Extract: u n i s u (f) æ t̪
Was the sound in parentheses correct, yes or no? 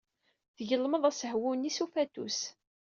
yes